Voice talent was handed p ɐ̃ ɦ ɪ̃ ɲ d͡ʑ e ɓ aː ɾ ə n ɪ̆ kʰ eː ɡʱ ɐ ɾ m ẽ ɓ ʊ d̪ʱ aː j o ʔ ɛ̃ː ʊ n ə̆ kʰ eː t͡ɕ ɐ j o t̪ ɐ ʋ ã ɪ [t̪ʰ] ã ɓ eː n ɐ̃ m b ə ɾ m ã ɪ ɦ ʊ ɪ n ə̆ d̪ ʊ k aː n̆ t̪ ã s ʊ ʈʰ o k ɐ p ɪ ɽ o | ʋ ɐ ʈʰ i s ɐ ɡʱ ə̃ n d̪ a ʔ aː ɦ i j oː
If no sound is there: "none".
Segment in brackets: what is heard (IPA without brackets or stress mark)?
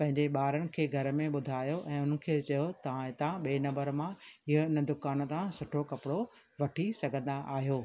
t̪